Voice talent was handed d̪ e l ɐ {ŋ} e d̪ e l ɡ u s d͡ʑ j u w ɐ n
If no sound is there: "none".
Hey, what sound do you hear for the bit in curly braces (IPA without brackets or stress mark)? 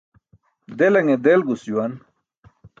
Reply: ŋ